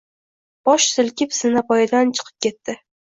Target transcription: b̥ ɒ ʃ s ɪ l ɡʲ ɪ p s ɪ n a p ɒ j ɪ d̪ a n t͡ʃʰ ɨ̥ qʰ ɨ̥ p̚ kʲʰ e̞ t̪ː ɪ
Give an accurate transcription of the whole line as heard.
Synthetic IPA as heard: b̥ ɒ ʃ s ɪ l kʲ ɪ p s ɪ n a p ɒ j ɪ d̪ a n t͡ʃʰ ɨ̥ qʰ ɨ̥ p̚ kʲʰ e̞ t̪ː ɪ